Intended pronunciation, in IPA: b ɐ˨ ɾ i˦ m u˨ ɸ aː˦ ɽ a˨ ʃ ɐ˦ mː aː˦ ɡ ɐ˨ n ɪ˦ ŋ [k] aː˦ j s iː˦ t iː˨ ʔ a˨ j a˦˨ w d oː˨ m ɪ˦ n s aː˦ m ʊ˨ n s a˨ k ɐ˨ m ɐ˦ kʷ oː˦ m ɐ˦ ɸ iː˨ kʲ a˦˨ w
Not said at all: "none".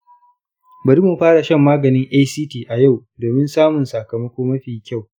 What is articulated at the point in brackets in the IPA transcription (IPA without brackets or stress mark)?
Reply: ʔ